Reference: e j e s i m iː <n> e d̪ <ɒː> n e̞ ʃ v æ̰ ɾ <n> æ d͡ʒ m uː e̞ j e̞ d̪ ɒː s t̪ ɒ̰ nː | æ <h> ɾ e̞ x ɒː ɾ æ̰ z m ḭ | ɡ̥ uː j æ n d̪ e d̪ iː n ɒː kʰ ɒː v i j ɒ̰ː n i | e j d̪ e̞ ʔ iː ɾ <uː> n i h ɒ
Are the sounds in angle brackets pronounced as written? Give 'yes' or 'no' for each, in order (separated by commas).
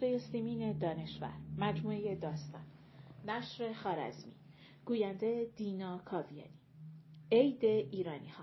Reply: yes, yes, no, no, no